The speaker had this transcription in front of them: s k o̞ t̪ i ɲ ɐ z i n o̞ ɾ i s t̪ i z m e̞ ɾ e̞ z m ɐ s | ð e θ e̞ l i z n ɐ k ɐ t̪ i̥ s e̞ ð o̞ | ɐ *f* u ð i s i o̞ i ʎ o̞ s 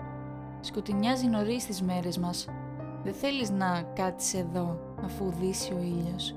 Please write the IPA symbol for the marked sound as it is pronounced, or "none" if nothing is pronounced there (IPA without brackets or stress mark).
f